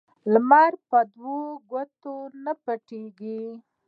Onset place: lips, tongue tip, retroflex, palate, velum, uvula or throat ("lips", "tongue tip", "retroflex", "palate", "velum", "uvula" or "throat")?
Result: tongue tip